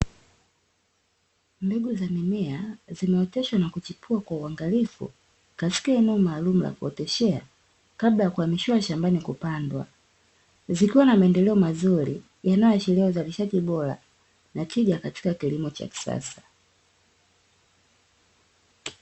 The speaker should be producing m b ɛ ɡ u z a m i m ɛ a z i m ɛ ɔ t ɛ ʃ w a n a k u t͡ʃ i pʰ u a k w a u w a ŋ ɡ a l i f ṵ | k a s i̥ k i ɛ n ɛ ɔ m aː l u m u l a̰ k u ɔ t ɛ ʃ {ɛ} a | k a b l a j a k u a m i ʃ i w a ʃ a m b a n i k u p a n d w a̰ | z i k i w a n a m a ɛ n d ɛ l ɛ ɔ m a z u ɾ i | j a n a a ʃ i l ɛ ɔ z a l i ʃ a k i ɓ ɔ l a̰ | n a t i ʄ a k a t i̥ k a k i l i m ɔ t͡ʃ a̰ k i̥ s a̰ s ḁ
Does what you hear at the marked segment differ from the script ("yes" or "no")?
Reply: no